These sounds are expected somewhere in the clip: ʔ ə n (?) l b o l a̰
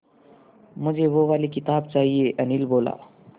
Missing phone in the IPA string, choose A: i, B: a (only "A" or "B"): A